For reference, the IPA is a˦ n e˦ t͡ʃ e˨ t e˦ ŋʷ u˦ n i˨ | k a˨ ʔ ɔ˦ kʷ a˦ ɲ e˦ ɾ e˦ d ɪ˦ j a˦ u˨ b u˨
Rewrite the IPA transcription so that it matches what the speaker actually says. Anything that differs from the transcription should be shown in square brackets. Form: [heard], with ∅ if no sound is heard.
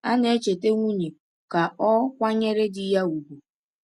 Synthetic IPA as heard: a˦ n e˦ t͡ʃ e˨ t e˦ ŋʷ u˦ [ɲ] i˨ | k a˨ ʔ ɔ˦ kʷ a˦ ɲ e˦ ɾ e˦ d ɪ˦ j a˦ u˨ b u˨

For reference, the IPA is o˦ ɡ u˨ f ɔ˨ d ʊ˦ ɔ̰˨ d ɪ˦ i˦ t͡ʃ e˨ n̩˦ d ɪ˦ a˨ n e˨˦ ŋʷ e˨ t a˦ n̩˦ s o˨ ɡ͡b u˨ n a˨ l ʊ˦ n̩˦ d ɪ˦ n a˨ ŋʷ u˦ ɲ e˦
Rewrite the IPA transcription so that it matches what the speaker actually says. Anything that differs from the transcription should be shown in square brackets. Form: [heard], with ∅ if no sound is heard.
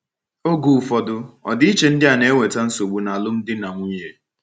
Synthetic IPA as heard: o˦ ɡ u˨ f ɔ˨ d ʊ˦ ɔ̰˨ d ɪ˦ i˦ t͡ʃ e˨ n̩˦ d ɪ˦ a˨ n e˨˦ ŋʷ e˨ t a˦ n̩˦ s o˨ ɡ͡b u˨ n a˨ l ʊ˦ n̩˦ d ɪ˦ n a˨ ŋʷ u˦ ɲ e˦

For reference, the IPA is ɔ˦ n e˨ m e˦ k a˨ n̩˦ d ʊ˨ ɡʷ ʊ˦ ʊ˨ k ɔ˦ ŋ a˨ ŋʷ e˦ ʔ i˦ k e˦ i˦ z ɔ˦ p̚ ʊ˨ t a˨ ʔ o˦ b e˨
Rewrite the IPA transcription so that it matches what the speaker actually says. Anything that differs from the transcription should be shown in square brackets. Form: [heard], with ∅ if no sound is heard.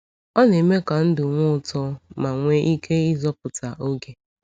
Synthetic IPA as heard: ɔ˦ n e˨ m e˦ k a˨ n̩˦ d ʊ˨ [ŋʷ] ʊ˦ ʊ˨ [t] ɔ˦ [m] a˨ ŋʷ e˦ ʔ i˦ k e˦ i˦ z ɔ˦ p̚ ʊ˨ t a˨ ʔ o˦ [ɡ] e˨

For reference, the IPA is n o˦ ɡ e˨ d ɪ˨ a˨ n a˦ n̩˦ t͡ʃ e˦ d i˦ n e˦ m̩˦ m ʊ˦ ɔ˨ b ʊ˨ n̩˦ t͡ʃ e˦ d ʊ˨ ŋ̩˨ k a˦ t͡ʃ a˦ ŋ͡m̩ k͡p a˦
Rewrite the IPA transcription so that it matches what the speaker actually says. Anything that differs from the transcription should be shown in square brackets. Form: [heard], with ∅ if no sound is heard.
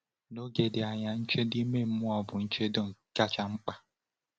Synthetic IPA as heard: n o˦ ɡ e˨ d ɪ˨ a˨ [ɲ] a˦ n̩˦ t͡ʃ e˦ d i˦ [m] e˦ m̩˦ m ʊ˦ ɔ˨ b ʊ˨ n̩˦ t͡ʃ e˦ d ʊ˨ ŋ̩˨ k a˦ t͡ʃ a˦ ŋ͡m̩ k͡p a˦

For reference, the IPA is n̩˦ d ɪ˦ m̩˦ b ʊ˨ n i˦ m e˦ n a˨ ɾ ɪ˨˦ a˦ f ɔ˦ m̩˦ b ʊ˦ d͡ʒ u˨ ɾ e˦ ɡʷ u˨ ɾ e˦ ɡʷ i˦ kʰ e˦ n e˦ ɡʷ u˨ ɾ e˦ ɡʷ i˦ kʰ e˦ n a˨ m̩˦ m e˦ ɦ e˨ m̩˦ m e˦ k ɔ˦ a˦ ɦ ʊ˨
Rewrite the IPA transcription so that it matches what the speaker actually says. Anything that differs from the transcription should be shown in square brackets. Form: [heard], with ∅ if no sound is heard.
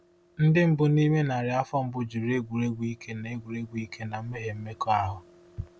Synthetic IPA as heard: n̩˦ d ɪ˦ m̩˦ b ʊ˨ n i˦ m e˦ n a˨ ɾ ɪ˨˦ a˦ f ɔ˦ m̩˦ b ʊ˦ d͡ʒ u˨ ɾ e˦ ɡʷ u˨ ɾ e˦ ɡʷ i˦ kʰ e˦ n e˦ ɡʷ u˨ ɾ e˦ ɡʷ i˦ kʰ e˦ n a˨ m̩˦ m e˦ ɦ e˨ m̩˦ m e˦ k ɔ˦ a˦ ɦ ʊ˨

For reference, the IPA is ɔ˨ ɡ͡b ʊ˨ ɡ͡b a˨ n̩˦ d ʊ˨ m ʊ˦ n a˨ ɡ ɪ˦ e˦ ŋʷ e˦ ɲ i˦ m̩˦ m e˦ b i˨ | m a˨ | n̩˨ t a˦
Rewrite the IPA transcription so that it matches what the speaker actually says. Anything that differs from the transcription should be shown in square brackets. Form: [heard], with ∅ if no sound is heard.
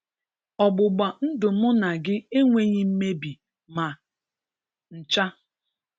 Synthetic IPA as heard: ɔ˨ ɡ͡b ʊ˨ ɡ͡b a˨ n̩˦ d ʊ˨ m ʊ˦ n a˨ ɡ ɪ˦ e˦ ŋʷ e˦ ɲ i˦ m̩˦ m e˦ b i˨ | m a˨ | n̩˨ [t͡ʃ] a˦

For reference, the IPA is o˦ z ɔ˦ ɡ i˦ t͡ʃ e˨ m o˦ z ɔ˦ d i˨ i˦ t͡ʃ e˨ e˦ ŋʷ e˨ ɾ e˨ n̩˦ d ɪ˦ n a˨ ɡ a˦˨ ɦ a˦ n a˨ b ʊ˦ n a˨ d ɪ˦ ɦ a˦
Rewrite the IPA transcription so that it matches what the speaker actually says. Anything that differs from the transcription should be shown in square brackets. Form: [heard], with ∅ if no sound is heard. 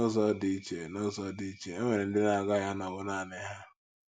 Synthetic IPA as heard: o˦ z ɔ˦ [d] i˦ t͡ʃ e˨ [n] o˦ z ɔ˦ d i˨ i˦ t͡ʃ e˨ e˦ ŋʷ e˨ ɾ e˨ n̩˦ d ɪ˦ n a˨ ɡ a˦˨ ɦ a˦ n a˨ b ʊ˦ n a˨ [n] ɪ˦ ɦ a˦

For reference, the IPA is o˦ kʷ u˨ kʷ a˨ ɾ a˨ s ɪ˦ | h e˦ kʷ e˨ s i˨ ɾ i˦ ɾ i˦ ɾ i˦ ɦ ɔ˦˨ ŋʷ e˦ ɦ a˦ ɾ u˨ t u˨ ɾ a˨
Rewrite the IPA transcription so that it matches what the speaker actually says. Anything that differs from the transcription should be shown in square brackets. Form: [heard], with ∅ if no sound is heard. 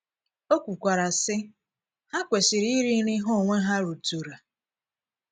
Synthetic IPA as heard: o˦ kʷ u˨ kʷ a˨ ɾ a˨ s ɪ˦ | h [a˦] kʷ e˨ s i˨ ɾ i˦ ɾ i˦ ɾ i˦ ɦ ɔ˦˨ ŋʷ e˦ ɦ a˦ ɾ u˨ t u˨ ɾ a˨

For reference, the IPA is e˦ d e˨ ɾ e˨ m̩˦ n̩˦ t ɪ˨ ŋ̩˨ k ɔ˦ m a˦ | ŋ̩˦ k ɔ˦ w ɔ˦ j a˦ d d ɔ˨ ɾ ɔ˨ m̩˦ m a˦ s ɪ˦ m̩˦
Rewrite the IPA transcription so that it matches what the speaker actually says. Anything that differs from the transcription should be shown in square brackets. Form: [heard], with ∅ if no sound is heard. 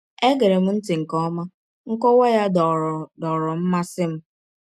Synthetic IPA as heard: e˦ [ɡ] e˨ ɾ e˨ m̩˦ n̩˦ t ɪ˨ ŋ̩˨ k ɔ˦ m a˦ | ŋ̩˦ k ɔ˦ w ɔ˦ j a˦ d d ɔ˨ ɾ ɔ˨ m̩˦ m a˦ s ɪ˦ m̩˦

